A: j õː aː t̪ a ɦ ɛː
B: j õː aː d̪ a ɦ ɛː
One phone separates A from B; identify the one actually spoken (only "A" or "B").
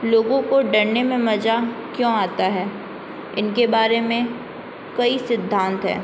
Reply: A